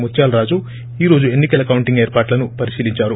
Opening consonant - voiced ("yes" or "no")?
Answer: yes